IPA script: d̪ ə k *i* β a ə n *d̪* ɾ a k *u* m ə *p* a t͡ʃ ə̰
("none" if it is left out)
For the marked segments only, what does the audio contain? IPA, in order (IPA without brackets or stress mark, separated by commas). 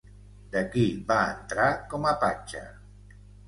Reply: i, t̪, ɔ, p